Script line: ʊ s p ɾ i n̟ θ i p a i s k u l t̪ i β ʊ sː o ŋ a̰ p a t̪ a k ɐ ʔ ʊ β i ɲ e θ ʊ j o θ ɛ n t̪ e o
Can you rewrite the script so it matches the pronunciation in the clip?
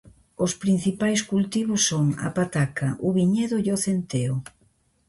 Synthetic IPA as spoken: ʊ s p ɾ i n̟ θ i p a j s k u l t̪ i β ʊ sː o ŋ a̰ p a t̪ a k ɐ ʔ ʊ β i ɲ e ð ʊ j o θ e n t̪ e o